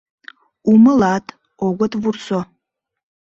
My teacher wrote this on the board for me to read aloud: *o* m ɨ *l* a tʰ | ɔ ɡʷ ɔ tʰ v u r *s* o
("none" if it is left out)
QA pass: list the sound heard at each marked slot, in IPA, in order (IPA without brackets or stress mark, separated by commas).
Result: u, l, s